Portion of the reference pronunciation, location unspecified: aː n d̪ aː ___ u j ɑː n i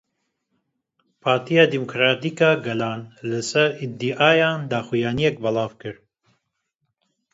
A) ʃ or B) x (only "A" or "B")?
B